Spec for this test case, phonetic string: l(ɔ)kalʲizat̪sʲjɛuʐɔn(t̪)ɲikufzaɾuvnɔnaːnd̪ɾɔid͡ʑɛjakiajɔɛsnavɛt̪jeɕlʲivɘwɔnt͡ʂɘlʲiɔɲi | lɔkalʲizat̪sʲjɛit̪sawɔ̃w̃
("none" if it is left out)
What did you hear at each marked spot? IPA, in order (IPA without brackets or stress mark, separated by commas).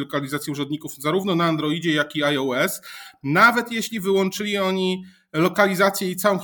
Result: ɔ, d̪